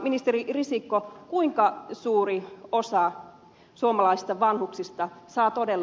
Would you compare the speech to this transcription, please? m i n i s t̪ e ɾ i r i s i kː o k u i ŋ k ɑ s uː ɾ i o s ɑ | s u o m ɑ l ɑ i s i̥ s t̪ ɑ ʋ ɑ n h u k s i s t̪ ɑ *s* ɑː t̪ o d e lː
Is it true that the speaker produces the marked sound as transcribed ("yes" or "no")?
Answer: yes